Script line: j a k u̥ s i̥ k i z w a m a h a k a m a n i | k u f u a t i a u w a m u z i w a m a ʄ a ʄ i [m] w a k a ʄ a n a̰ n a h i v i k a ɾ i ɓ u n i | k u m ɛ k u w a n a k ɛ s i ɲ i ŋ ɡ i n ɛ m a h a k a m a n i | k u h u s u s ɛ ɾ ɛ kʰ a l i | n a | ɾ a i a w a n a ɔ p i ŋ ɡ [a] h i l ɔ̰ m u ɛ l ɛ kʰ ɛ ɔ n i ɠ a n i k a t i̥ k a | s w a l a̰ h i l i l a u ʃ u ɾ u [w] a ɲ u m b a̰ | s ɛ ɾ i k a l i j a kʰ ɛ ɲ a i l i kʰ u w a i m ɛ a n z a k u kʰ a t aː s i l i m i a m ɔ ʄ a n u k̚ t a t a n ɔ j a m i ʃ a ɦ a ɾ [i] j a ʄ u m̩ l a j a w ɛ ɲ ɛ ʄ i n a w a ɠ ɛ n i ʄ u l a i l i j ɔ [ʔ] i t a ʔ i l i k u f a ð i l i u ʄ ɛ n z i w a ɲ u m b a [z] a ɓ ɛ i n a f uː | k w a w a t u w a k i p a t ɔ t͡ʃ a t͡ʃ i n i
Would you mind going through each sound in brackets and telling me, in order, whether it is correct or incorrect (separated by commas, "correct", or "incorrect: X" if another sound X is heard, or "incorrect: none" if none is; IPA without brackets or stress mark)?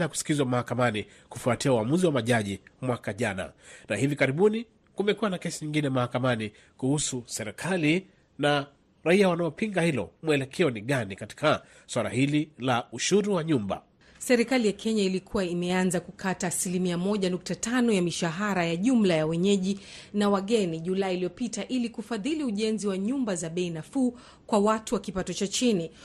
correct, correct, correct, incorrect: a, incorrect: p, correct